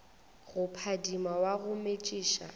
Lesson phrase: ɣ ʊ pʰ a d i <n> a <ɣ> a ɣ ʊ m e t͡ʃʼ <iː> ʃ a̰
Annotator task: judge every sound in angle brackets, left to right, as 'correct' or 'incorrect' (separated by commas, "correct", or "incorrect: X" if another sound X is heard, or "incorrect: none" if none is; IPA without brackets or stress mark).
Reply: incorrect: m, incorrect: w, correct